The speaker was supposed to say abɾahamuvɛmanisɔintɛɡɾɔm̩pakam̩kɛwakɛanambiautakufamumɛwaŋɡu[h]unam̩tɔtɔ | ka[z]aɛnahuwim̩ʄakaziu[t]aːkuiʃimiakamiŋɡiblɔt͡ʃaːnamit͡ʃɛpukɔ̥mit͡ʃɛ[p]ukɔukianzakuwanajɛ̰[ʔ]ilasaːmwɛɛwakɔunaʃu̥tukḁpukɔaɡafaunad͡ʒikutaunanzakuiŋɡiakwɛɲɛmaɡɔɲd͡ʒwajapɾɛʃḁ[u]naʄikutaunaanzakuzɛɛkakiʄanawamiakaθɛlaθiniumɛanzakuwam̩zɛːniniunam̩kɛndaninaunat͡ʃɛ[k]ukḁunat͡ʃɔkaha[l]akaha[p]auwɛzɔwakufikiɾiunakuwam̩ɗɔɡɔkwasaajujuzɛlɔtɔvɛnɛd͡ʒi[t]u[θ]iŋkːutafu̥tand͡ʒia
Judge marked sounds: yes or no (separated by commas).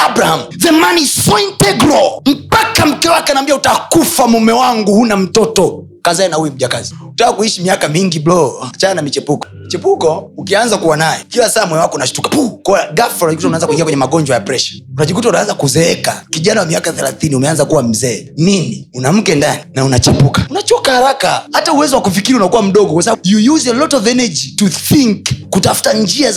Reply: yes, yes, yes, yes, no, yes, no, no, no, yes, yes